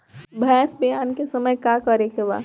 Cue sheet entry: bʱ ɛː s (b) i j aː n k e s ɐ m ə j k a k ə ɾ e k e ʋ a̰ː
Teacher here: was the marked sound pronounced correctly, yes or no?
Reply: yes